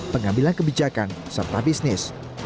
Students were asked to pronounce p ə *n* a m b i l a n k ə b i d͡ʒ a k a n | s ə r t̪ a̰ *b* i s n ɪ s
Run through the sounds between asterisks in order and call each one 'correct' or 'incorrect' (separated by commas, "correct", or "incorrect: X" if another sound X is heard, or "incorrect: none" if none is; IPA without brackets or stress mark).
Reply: incorrect: ŋ, correct